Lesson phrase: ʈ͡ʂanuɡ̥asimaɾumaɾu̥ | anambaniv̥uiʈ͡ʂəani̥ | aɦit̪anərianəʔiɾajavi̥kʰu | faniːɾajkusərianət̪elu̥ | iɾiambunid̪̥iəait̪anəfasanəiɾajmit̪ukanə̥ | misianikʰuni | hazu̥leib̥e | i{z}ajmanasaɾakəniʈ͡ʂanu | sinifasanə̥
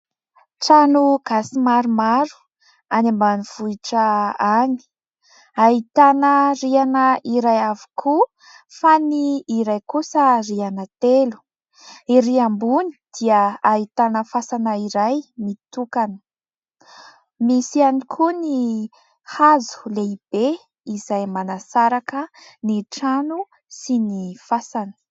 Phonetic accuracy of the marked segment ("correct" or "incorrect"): correct